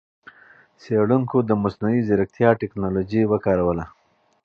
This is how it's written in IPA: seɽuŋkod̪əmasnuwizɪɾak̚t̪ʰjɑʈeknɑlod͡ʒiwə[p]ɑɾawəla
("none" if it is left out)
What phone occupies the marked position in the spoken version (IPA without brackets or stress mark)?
k